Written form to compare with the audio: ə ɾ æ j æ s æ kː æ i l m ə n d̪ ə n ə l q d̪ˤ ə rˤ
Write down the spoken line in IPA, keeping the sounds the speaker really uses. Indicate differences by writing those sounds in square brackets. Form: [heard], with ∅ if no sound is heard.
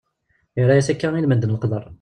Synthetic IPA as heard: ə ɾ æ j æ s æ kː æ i l m ə n d̪ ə n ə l q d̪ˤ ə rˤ